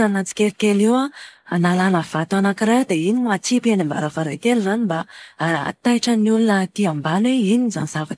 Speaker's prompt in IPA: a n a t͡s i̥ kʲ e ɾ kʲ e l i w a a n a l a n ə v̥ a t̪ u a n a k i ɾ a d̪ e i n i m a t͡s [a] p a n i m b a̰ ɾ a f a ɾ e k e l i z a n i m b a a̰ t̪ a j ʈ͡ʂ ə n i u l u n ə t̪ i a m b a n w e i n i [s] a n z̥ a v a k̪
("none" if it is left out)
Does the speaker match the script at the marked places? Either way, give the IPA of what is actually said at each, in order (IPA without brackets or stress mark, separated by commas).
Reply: i, z